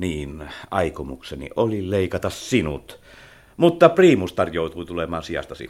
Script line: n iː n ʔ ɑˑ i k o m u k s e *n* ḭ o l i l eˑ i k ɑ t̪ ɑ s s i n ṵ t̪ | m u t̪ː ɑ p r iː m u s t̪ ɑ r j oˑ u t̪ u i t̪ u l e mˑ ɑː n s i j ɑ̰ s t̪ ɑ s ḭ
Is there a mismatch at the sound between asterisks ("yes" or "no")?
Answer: no